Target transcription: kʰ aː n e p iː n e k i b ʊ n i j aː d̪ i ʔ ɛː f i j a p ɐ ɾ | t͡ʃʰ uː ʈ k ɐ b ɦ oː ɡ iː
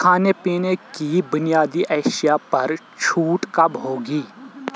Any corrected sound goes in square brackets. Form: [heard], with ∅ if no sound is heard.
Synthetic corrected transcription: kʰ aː n e p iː n e k i b ʊ n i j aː d̪ i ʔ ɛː [ʃ] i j a p ɐ ɾ | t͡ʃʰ uː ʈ k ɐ b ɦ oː ɡ iː